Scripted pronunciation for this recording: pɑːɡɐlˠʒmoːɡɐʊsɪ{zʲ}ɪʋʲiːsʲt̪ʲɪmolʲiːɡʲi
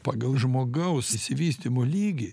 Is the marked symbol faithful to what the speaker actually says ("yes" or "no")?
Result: no